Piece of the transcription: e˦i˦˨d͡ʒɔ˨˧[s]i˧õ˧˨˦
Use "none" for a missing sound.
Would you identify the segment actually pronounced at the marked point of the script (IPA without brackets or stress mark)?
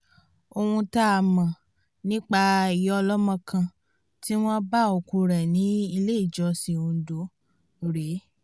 s